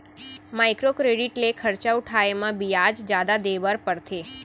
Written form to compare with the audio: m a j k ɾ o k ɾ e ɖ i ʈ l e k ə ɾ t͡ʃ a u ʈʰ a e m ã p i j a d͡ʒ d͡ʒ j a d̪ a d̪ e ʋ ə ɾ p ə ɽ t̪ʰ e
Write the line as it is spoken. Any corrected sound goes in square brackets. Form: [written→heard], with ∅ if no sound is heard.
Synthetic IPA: m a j k ɾ o k ɾ e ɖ i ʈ l e [k→kʰ] ə ɾ t͡ʃ a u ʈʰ a e m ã [p→b] i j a d͡ʒ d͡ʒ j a d̪ a d̪ e ʋ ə ɾ p ə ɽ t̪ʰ e